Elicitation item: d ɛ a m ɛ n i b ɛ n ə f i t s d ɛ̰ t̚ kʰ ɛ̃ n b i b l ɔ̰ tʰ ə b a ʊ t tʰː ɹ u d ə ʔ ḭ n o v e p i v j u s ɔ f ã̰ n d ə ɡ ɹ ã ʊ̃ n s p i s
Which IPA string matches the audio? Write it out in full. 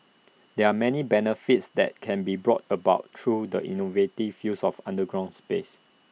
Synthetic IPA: d ɛ a m ɛ n i b ɛ n ə f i t s d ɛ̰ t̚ kʰ ɛ̃ n b i b ɹ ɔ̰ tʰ ə b a ʊ t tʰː ɹ u d ə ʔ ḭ n o v e t i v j u s ɔ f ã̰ n d ə ɡ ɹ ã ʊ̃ n s p e s